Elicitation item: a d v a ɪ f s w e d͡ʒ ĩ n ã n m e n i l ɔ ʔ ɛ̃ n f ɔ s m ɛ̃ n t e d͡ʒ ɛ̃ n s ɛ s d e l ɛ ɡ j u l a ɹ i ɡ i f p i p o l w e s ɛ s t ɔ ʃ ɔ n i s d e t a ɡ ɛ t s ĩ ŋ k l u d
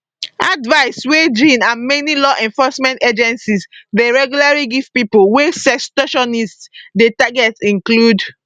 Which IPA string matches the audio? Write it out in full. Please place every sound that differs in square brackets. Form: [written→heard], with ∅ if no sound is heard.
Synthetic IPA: a d v a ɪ [f→∅] s w e d͡ʒ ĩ n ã n m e n i l ɔ ʔ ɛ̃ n f ɔ s m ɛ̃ n t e d͡ʒ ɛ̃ n s [ɛ→i] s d e [l→ɹ] ɛ ɡ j u l a ɹ i ɡ i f p i p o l w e s ɛ s t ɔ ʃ ɔ n i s d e t a ɡ ɛ t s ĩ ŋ k l u d